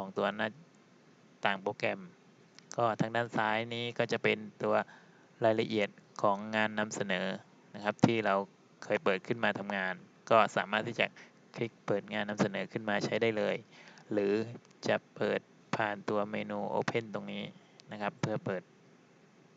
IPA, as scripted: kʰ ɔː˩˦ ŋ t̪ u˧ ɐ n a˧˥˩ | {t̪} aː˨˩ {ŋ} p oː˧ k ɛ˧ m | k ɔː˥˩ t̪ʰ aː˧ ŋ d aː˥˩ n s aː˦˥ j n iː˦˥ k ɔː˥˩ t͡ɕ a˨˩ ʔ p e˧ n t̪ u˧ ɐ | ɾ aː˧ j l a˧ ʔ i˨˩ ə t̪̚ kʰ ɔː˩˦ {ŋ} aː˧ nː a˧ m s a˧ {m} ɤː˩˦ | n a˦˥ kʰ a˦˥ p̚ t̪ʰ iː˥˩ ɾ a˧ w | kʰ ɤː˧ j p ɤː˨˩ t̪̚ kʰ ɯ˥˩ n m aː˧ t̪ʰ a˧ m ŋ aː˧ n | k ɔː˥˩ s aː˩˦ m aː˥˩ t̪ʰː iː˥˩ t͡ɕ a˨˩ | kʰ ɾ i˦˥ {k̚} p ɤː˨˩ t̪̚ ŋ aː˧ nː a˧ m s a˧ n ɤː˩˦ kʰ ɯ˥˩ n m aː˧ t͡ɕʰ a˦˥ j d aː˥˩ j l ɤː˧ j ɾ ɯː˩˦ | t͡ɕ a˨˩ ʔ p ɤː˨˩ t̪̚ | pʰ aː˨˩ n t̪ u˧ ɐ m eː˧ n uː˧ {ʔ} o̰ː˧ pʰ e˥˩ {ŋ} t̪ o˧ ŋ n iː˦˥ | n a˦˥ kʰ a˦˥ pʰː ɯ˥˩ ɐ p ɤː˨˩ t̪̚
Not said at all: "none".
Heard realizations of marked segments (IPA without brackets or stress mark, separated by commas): t̪, ŋ, ŋː, n, k̚, ʔ, n